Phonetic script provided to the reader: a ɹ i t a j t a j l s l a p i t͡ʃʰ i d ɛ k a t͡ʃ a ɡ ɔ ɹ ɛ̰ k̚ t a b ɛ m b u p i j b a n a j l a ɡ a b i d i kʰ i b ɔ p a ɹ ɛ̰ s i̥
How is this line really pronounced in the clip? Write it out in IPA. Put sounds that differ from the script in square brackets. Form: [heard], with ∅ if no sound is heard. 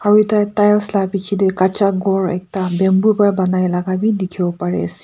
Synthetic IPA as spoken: a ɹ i t a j t a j l s l a p i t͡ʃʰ i d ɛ k a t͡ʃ a ɡ ɔ ɹ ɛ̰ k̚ t a b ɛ m b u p [a] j b a n a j l a ɡ a b i d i kʰ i b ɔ p a ɹ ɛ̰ s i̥

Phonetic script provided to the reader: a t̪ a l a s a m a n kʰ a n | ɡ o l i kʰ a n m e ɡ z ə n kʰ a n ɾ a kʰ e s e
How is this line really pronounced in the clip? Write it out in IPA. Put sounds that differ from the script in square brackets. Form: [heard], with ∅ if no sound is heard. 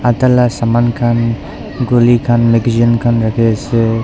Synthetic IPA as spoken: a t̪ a l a s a m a n kʰ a n | ɡ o l i kʰ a n m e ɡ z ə n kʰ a n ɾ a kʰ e s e

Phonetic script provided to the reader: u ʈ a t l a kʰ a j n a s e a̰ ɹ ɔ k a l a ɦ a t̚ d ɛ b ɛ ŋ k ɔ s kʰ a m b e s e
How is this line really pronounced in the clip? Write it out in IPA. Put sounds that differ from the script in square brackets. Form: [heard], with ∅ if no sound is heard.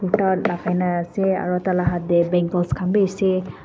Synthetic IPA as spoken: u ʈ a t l a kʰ a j n a s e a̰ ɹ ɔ [t] a l a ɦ a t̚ d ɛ b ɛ ŋ k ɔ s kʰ a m b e s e

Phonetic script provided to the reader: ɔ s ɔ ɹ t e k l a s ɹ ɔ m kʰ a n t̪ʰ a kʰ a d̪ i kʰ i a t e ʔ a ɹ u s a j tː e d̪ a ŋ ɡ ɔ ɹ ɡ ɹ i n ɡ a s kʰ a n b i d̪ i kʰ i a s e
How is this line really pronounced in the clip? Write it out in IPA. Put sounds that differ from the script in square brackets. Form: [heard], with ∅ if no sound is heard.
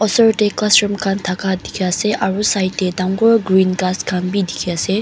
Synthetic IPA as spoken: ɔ s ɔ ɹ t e k l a s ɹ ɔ m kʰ a n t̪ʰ a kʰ a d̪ i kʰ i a [s] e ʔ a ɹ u s a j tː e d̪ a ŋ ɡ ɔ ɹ ɡ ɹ i n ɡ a s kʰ a n b i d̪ i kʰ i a s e

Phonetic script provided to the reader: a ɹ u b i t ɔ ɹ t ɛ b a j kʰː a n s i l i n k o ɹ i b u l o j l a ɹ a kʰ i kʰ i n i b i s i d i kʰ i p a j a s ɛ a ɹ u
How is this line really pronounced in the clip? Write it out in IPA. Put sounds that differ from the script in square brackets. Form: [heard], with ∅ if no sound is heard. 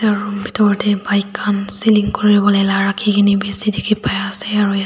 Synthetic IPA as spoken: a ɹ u b i t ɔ ɹ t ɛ b a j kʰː a n s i l i [ŋ] k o ɹ i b [ɔ] l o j l a ɹ a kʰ i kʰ i n i b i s i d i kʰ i p a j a s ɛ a ɹ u

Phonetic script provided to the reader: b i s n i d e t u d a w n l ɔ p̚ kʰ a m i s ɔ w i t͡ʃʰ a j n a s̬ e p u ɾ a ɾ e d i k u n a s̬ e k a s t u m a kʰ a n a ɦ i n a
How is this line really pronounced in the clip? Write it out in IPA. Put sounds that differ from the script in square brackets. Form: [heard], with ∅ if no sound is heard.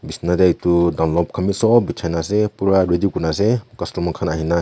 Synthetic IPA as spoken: b i s n [a] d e t u d a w n l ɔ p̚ kʰ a m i s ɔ [b] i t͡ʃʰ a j n a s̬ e p u ɾ a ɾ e d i k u n a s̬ e k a s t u m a kʰ a n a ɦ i n a

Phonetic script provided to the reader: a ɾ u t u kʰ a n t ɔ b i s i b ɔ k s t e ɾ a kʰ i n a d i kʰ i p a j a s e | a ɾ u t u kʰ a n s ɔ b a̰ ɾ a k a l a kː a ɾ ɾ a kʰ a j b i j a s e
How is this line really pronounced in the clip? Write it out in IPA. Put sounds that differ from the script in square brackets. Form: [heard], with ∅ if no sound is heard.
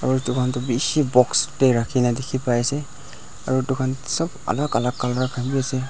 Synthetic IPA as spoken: a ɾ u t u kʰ a n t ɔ b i s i b ɔ k s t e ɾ a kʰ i n a d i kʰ i p a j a s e | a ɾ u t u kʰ a n s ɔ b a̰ [l] a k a l a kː a [l] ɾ a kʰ a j b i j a s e

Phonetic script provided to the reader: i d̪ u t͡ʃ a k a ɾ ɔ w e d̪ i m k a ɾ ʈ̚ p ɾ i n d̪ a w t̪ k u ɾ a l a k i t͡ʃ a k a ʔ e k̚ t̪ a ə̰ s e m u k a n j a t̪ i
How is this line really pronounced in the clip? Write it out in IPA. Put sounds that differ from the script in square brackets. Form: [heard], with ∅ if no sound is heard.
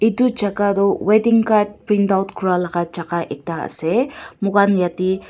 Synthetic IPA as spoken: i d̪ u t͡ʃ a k a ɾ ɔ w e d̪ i [ŋ] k a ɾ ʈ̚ p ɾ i n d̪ a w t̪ k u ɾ a l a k [a] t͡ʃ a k a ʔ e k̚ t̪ a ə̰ s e m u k a n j a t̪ i

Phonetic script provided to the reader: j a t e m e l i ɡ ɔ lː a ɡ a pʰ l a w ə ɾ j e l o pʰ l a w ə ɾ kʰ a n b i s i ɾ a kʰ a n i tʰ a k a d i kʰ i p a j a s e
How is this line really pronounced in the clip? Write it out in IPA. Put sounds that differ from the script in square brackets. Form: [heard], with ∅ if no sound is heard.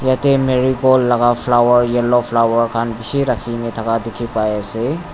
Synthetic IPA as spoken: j a t e m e [ɾ] i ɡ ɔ lː a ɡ a pʰ l a w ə ɾ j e l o pʰ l a w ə ɾ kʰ a n b i s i ɾ a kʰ [i] n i tʰ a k a d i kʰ i p a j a s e

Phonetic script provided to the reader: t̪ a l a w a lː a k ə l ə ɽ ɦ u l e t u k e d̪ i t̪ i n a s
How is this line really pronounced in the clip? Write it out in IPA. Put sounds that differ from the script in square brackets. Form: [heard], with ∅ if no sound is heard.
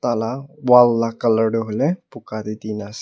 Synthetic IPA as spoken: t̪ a l a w a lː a k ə l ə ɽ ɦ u l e [p] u k [a] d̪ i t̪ i n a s

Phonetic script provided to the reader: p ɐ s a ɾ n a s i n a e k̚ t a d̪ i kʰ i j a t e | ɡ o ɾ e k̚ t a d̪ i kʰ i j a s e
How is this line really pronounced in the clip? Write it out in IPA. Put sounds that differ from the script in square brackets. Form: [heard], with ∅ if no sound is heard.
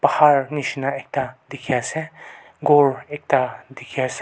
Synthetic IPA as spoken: p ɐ [h] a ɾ n [i] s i n a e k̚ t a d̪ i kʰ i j a [s] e | ɡ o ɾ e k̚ t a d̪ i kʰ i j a s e

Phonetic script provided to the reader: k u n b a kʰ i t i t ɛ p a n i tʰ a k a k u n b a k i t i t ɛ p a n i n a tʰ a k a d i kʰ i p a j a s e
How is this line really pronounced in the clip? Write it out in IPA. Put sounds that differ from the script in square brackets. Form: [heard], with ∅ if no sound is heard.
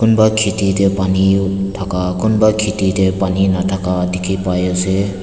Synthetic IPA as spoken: k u n b a kʰ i t i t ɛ p a n i tʰ a k a k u n b a [kʰ] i t i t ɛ p a n i n a tʰ a k a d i kʰ i p a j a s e

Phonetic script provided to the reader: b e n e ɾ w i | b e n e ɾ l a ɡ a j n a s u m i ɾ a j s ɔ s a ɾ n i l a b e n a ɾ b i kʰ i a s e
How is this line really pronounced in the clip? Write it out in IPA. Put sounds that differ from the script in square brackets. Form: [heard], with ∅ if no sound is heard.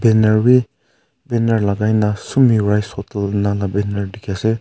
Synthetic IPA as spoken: b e n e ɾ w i | b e n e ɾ l a ɡ a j n a s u m i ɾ a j s ɔ [t] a [l] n [a] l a b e n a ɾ [d] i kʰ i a s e

